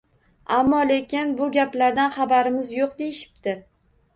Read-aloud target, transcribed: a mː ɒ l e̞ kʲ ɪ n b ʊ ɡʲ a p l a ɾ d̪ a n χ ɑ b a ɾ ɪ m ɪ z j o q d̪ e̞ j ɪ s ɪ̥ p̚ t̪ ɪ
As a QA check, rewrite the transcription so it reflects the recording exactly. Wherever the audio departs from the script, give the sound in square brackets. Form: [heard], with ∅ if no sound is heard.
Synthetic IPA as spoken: a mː ɒ l e̞ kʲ ɪ n b ʊ ɡʲ a p l a ɾ d̪ a n χ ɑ b a ɾ ɪ m ɪ z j o q d̪ e̞ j ɪ [ʃ] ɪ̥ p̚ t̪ ɪ

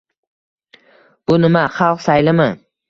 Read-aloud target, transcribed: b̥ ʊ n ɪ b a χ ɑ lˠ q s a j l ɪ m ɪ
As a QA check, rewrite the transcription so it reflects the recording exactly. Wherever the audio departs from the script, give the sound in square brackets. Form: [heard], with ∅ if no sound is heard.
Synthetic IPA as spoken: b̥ ʊ n ɪ [m] a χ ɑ lˠ q s a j l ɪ m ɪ

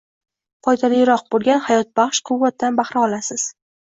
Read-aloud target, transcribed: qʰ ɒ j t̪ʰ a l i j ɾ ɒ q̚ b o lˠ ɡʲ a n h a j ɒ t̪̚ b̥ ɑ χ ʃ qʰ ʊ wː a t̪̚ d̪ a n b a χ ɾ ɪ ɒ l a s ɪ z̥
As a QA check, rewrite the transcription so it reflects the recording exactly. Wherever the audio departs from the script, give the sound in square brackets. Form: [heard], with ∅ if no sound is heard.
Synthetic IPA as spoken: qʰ ɒ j t̪ʰ a l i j ɾ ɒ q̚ b o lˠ ɡʲ a n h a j ɒ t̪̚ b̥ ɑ χ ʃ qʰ ʊ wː a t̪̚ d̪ a n b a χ ɾ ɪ ɒ l a s ɪ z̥

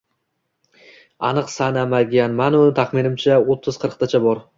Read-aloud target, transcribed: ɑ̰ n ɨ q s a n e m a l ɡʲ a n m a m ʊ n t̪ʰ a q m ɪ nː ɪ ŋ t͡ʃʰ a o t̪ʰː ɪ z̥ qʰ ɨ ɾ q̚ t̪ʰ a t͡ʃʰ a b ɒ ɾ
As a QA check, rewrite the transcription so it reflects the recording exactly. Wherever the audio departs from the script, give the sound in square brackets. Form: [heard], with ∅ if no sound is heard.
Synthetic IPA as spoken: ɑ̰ n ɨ q s a n [a] m a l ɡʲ a n m a [n] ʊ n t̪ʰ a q m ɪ [n] ɪ [m] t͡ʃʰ a o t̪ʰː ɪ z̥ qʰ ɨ ɾ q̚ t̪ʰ a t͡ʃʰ a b ɒ ɾ

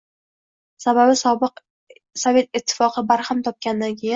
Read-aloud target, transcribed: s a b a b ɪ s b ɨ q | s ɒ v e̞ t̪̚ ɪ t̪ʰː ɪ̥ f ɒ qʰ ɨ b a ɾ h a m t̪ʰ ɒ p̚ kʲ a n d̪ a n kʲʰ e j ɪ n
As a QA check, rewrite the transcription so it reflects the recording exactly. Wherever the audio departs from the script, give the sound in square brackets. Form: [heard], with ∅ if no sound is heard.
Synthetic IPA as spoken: s a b a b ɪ s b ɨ q | s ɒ v e̞ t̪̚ ɪ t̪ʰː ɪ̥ f ɒ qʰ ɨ b a ɾ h a m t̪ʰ ɒ p̚ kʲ a n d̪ a n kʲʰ e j ɪ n

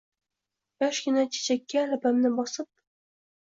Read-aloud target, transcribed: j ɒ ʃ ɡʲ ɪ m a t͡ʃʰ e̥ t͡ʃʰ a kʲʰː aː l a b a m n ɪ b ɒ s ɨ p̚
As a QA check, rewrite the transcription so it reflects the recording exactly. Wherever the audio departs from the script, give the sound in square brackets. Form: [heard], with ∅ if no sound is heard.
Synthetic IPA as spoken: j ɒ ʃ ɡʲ ɪ [n] a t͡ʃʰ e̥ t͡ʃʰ a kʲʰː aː l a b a m n ɪ b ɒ s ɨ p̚

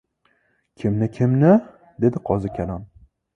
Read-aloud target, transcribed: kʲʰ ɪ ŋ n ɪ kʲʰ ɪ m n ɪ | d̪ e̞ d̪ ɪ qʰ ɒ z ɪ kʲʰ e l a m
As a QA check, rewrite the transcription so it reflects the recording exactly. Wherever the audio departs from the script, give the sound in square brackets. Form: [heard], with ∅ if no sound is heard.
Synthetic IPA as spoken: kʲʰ ɪ [m] n ɪ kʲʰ ɪ m n ɪ | d̪ e̞ d̪ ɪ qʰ ɒ z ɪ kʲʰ [a] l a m

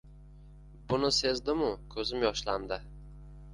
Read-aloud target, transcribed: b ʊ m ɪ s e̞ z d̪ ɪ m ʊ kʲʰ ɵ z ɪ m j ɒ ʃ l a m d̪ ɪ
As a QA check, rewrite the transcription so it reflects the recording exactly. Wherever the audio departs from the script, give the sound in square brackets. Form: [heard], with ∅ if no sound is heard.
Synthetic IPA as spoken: b ʊ [n] ɪ s e̞ z d̪ ɪ m ʊ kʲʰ ɵ z ɪ m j ɒ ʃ l a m d̪ ɪ

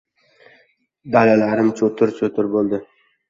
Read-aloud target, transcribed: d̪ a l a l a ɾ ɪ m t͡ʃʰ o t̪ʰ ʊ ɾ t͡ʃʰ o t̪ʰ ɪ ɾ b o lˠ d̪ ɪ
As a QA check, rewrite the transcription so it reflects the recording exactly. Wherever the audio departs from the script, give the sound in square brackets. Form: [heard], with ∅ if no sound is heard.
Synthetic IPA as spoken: d̪ a l a l a ɾ ɪ m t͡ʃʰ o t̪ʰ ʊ ɾ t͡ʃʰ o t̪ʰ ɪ ɾ b o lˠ d̪ ɪ

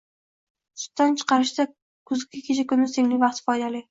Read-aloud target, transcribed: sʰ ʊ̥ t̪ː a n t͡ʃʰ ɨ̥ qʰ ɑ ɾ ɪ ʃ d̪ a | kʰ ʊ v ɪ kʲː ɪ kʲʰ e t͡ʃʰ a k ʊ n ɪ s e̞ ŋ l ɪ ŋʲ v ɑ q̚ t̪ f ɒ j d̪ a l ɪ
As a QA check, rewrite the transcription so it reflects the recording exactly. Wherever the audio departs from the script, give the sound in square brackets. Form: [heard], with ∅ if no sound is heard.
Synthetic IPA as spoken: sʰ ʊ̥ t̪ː a n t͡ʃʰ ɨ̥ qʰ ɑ ɾ ɪ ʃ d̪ a | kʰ ʊ [z] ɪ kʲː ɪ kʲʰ e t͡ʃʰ a k ʊ n ɪ s e̞ ŋ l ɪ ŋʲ v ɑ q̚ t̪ f ɒ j d̪ a l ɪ

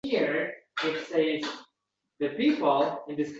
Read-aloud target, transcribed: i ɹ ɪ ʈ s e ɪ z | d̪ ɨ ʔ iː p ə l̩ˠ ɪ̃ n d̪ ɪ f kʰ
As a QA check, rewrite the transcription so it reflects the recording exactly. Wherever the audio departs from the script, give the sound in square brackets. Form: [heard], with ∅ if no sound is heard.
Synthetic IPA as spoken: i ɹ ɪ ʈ s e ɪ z | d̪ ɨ [p] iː p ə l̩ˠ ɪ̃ n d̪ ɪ [s] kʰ

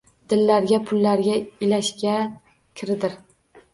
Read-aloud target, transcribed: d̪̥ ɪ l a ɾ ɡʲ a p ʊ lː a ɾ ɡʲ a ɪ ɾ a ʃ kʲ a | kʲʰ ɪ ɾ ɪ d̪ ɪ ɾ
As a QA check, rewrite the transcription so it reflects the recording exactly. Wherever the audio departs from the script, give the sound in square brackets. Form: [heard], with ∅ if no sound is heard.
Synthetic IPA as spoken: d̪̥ ɪ [lː] a ɾ ɡʲ a [pʰ] ʊ lː a ɾ ɡʲ a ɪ [l] a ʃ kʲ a | kʲʰ ɪ ɾ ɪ d̪ ɪ ɾ

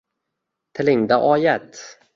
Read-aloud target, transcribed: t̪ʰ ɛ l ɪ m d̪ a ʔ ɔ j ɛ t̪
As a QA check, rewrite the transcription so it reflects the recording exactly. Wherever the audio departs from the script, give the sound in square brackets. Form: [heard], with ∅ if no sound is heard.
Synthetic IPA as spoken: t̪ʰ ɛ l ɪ [ŋ] d̪ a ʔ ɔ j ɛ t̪

